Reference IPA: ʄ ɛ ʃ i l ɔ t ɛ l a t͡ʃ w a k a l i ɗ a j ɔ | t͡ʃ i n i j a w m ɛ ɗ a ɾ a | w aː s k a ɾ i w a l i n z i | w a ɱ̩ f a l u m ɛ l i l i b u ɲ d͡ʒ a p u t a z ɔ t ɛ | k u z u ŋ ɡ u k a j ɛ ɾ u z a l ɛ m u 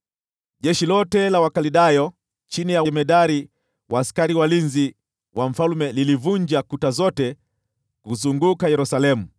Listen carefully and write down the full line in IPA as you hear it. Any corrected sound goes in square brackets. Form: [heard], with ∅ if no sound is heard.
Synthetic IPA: ʄ ɛ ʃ i l ɔ t ɛ l a [∅] w a k a l i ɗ a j ɔ | t͡ʃ i n i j a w m ɛ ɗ a ɾ [i] | w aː s k a ɾ i w a l i n z i | w a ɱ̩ f a l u m ɛ l i l i [v] u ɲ d͡ʒ a [k] u t a z ɔ t ɛ | k u z u ŋ ɡ u k a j ɛ ɾ u [s] a l ɛ m u